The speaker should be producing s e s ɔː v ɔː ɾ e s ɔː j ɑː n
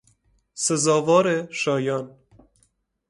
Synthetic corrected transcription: s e z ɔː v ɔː ɾ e ʃ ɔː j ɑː n